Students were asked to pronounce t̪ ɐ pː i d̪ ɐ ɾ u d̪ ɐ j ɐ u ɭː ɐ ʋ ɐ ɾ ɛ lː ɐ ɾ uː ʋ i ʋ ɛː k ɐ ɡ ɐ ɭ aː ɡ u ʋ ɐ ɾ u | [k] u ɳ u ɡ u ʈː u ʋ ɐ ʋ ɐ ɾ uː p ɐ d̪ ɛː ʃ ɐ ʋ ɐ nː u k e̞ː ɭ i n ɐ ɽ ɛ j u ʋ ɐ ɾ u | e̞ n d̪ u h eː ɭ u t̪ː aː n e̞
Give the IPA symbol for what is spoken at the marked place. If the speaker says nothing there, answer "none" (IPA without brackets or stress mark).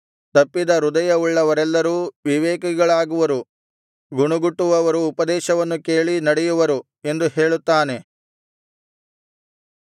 ɡ